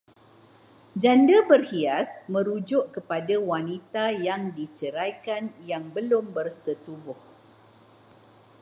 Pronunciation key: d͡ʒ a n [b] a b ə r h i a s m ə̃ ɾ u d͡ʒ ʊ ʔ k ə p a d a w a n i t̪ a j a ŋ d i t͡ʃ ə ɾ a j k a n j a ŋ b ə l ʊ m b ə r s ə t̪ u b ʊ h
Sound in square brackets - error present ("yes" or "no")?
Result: yes